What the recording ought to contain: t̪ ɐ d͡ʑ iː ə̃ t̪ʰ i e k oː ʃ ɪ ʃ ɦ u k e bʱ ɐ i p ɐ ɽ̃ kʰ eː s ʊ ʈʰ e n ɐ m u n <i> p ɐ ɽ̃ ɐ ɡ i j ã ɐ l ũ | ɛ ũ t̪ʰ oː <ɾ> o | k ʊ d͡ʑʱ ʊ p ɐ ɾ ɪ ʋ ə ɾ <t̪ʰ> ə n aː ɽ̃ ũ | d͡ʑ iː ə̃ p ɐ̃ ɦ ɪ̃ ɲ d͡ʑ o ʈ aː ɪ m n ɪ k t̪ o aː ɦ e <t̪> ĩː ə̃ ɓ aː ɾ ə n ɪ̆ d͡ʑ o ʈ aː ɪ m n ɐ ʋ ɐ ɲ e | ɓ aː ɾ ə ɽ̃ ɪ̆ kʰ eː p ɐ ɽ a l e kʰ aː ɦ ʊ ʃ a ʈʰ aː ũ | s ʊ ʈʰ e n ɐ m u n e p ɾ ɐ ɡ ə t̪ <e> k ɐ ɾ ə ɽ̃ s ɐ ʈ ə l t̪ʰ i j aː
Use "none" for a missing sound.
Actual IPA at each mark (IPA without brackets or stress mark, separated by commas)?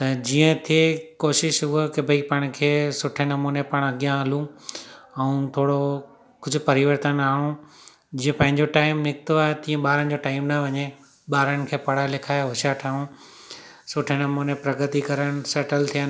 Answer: e, ɽ, t̪, t̪, i